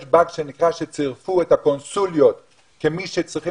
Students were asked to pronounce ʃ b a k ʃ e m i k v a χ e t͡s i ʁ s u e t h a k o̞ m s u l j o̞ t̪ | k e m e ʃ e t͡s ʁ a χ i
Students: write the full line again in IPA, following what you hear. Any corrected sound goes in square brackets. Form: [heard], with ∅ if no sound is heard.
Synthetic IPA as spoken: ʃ b a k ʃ e [n] i k [ʁ] a [ʃ] e t͡s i ʁ [f] u e t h a k o̞ [n] s u l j o̞ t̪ | k e m [i] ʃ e t͡s ʁ [i] χ i